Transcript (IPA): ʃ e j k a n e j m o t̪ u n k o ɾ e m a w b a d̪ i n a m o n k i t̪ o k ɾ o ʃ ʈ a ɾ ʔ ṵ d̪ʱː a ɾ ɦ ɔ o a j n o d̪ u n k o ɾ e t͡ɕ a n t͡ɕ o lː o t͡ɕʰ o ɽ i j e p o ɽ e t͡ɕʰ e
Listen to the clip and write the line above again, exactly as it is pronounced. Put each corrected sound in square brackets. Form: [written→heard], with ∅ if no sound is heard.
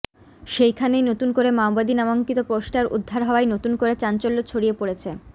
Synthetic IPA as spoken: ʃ e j [k→kʰ] a n e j [m→n] o t̪ u n k o ɾ e m a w b a d̪ i n a m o [n→ŋ] k i t̪ o [k→p] ɾ o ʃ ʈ a ɾ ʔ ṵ d̪ʱː a ɾ ɦ ɔ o a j n o [d̪→t̪] u n k o ɾ e t͡ɕ a n t͡ɕ o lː o t͡ɕʰ o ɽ i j e p o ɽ e t͡ɕʰ e